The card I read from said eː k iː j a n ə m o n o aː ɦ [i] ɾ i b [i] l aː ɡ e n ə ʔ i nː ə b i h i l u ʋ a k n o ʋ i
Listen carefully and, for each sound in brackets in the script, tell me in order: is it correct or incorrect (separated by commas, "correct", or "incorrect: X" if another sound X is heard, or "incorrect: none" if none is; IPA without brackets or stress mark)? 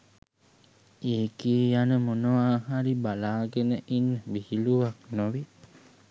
incorrect: a, incorrect: a